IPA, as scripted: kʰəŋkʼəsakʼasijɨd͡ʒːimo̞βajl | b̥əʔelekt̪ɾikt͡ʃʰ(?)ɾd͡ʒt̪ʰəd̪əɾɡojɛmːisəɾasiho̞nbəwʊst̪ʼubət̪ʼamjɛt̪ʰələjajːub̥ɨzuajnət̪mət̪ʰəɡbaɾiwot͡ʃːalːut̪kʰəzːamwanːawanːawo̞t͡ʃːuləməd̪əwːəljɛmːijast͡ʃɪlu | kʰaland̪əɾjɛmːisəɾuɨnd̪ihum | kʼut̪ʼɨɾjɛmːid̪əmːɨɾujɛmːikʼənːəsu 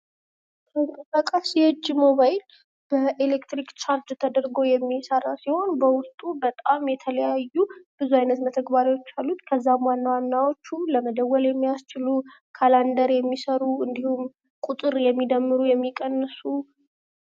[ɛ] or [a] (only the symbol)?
a